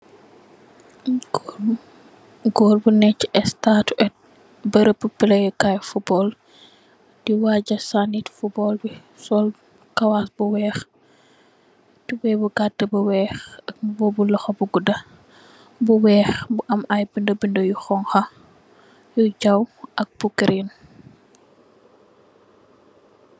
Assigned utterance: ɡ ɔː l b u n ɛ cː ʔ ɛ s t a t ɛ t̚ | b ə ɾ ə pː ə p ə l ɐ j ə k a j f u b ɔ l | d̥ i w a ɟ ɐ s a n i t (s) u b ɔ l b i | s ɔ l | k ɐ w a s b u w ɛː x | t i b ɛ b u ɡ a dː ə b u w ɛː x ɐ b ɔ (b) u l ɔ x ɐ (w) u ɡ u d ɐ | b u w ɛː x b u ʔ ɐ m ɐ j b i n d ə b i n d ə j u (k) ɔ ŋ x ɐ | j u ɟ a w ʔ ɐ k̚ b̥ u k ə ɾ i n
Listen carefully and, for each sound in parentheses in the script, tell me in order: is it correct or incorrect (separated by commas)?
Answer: incorrect, correct, incorrect, incorrect